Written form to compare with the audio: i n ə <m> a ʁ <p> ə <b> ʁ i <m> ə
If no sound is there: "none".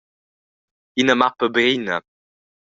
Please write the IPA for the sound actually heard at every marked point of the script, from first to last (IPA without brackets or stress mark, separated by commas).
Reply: m, p, b, n